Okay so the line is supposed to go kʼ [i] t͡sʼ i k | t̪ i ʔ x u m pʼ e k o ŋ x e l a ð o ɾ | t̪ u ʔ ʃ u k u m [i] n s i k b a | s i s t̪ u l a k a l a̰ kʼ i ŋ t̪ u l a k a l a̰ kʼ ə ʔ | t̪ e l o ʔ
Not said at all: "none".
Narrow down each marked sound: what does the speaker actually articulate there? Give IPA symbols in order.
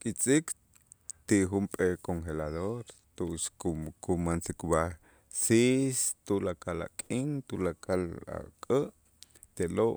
i, a

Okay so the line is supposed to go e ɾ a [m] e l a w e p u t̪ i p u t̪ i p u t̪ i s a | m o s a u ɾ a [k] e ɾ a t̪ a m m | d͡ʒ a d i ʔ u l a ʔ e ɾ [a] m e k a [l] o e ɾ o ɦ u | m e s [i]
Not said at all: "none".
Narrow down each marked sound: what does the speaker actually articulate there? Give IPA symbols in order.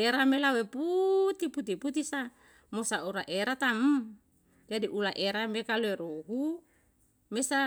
m, ʔ, a, l, a

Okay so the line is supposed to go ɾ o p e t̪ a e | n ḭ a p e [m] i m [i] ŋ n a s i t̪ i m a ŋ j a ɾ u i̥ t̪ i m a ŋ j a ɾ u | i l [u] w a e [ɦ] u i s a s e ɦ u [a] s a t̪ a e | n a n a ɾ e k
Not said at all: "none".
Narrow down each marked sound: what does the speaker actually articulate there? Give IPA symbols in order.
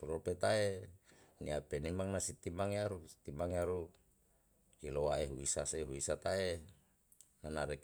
n, a, o, ɦ, i

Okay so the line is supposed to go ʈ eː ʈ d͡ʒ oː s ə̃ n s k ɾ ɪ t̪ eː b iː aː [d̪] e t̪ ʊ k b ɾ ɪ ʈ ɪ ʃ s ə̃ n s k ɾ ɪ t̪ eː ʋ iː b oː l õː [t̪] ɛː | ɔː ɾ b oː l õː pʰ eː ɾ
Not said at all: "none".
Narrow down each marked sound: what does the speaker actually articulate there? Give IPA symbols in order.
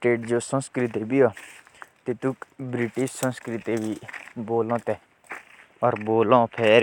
t̪, t̪

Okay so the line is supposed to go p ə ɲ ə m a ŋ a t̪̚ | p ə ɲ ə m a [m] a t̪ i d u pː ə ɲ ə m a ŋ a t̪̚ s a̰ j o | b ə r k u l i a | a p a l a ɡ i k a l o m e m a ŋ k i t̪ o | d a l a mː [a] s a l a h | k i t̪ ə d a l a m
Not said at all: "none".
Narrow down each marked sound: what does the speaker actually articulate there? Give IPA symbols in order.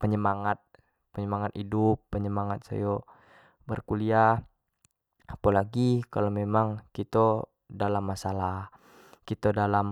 ŋ, a

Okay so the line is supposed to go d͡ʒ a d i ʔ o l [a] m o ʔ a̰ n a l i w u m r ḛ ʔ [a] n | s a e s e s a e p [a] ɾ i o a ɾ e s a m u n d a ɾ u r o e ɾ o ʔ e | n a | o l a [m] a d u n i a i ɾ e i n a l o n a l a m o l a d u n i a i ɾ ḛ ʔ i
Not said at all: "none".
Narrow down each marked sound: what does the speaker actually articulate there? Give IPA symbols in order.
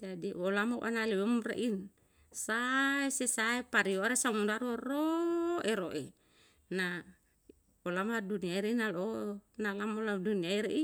a, i, a, m

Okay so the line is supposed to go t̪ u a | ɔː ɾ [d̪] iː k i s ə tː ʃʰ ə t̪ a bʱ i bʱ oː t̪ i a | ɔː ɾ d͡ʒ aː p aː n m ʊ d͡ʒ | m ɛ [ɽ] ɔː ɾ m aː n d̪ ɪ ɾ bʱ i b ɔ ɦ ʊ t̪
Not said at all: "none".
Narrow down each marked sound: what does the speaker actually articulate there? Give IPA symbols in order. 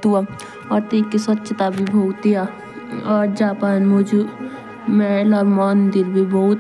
t̪, l

